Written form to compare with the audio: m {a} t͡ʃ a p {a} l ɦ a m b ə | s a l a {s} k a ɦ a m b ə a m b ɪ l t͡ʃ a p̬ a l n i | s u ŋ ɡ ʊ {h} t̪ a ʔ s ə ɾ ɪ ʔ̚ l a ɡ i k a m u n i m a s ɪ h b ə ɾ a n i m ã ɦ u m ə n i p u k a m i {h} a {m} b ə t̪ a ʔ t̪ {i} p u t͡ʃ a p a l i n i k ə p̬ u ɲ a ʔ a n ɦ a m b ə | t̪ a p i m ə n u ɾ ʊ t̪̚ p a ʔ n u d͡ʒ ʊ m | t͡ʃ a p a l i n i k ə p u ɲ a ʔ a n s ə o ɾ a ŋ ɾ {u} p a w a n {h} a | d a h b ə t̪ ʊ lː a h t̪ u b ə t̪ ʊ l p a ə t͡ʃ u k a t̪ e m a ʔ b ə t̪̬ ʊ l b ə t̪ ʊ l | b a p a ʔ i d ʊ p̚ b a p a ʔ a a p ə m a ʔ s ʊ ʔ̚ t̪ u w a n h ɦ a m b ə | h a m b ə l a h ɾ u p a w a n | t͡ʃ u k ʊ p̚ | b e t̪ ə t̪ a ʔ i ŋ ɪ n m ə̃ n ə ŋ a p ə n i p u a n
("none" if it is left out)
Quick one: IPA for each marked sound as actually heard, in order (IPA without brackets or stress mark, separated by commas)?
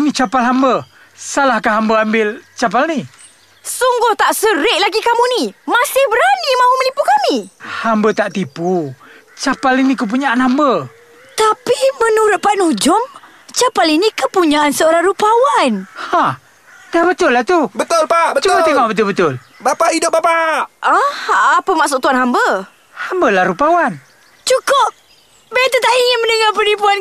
i, a, h, h, h, m, i, u, h